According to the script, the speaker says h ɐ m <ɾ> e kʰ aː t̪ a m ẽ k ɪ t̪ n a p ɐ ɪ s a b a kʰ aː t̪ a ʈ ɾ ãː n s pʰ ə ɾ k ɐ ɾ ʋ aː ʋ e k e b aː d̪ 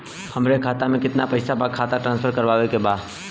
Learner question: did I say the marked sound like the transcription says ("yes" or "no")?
yes